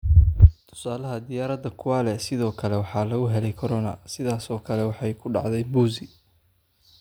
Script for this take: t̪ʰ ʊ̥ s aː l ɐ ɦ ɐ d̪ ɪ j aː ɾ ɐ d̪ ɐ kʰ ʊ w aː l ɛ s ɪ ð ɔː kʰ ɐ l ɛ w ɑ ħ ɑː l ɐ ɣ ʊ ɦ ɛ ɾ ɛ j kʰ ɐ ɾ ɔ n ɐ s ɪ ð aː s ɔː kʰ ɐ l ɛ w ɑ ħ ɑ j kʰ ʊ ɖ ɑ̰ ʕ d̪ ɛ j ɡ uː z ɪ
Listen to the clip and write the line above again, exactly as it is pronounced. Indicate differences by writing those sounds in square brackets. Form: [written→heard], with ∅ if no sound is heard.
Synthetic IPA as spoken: t̪ʰ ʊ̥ s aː l ɐ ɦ ɐ d̪ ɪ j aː ɾ ɐ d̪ ɐ kʰ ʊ w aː l ɛ s ɪ ð ɔː kʰ ɐ l ɛ w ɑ ħ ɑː l ɐ ɣ ʊ ɦ ɛ [ɾ→l] ɛ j kʰ ɐ ɾ ɔ n ɐ s ɪ ð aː s ɔː kʰ ɐ l ɛ w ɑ ħ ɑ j kʰ ʊ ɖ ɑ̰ ʕ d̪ ɛ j [ɡ→b] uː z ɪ